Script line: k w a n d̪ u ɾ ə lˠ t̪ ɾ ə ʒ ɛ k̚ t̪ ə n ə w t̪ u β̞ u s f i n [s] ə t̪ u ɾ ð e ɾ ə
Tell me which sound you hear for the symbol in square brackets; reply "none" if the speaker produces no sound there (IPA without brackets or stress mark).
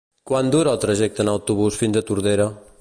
z